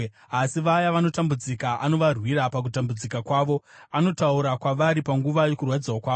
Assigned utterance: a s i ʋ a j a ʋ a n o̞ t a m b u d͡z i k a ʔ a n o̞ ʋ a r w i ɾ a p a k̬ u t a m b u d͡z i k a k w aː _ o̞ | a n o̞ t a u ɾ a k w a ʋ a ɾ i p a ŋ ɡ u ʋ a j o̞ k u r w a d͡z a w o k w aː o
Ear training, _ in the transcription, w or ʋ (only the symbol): ʋ